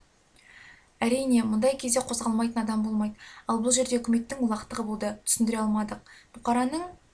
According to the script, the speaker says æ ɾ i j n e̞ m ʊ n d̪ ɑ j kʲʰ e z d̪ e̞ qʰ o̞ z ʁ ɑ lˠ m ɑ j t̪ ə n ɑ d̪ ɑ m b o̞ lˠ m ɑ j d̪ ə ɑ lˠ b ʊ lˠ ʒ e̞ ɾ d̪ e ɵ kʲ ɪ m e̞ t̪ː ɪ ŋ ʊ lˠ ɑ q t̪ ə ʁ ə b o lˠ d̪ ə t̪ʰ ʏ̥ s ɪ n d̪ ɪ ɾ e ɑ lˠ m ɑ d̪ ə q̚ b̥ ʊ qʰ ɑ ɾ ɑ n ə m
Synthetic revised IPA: æ ɾ i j n e̞ m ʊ n d̪ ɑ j kʲʰ e z d̪ e̞ qʰ o̞ z ʁ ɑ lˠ m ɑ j t̪ ə n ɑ d̪ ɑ m b o̞ lˠ m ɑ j d̪ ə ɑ lˠ b ʊ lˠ ʒ e̞ ɾ d̪ e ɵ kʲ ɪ m e̞ t̪ː ɪ ŋ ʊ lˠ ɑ q t̪ ə ʁ ə b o lˠ d̪ ə t̪ʰ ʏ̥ s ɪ n d̪ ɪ ɾ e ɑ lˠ m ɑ d̪ ə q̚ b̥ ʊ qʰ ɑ ɾ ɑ n ə ɴ